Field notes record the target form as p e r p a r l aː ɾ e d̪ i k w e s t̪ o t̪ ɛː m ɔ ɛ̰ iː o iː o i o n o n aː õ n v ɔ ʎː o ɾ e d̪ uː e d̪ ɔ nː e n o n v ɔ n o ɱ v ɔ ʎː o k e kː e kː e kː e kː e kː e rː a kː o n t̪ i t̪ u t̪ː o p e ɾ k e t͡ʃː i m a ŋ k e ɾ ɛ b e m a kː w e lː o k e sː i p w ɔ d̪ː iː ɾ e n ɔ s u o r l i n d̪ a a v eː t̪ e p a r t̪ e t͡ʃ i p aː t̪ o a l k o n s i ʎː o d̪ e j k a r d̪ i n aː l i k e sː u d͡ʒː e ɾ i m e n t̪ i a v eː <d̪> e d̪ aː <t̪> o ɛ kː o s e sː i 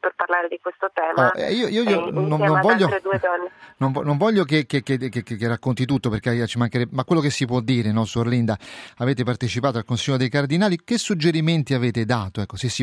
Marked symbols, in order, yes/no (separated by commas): no, yes